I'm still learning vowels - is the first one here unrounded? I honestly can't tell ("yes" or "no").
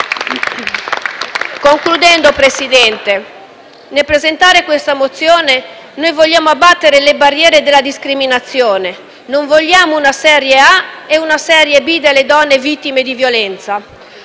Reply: no